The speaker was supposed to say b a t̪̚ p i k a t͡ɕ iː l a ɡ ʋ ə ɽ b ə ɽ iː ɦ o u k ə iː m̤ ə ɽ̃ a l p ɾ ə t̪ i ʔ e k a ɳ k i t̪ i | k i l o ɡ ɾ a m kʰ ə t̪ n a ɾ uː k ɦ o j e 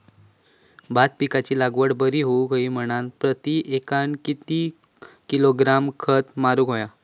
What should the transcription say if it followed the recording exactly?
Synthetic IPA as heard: b a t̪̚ p i k a t͡ɕ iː l a ɡ ʋ ə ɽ b ə ɾ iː ɦ o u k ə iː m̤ ə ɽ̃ a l p ɾ ə t̪ i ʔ e k a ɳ k i t̪ i | k i l o ɡ ɾ a m kʰ ə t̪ m a ɾ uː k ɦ o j a